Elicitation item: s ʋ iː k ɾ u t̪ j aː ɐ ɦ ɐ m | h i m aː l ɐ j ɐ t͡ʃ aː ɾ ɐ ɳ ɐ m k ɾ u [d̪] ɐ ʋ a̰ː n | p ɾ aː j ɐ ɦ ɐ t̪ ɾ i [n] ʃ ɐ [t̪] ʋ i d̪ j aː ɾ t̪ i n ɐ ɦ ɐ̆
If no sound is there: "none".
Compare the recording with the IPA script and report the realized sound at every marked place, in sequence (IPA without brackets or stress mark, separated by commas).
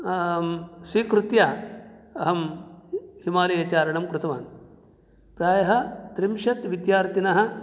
t̪, m, t̪